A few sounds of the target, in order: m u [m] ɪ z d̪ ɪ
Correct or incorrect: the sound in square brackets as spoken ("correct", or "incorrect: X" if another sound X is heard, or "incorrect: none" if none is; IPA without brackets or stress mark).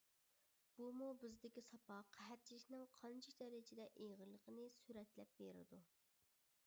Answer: incorrect: b